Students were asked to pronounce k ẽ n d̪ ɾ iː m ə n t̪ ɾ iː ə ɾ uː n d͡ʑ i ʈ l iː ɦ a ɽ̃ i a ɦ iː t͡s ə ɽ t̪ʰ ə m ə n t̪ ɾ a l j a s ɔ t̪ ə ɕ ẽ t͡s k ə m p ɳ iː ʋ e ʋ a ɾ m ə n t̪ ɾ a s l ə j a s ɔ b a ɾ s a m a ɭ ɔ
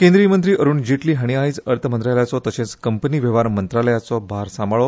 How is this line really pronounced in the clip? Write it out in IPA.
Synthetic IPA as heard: k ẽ n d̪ ɾ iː m ə n t̪ ɾ iː ə ɾ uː n d͡ʑ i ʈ l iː ɦ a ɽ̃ i a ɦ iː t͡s ə ɾ t̪ʰ ə m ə n t̪ ɾ a l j a t͡s ɔ t̪ ə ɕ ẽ t͡s k ə m p n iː ʋ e ʋ a ɾ m ə n t̪ ɾ a l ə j a t͡s ɔ b a ɾ s a m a ɭ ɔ